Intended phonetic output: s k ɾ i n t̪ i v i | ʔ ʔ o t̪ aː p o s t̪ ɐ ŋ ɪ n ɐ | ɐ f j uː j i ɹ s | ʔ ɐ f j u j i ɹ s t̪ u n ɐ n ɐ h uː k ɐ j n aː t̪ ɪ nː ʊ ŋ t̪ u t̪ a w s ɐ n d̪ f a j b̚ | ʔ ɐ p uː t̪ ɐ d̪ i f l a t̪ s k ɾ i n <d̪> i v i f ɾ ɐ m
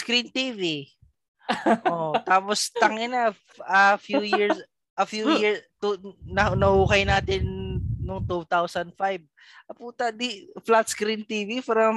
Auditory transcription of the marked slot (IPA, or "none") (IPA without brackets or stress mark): t̪